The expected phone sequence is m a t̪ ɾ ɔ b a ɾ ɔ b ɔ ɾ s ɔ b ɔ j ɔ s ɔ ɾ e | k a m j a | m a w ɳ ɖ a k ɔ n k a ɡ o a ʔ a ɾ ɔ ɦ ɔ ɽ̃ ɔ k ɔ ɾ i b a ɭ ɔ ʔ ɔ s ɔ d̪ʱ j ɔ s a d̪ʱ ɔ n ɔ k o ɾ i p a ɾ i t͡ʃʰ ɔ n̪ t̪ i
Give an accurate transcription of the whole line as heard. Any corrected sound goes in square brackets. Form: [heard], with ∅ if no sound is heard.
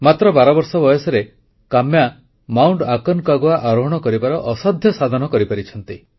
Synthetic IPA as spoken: m a t̪ ɾ ɔ b a ɾ ɔ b ɔ ɾ s ɔ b ɔ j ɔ s ɔ ɾ e | k a m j a | m a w ɳ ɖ a k ɔ n k a ɡ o a ʔ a ɾ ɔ ɦ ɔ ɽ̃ ɔ k ɔ ɾ i b a [ɾ] ɔ ʔ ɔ s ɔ d̪ʱ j ɔ s a d̪ʱ ɔ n ɔ k [ɔ] ɾ i p a ɾ i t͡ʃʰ ɔ n̪ t̪ i